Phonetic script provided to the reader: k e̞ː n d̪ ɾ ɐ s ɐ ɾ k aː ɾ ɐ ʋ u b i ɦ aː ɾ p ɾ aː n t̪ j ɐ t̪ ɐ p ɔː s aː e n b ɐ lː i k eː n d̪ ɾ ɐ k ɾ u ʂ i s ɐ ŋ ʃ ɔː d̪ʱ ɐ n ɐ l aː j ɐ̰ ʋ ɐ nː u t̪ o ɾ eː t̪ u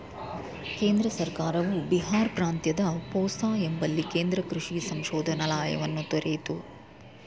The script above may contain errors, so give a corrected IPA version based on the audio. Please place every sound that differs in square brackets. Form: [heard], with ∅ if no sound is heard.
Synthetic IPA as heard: k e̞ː n d̪ ɾ ɐ s ɐ ɾ k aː ɾ ɐ ʋ u b i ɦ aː ɾ p ɾ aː n t̪ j ɐ [d̪] ɐ p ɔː s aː e [m] b ɐ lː i k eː n d̪ ɾ ɐ k ɾ u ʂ i s ɐ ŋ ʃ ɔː d̪ʱ ɐ n ɐ l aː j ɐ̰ ʋ ɐ nː u t̪ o ɾ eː t̪ u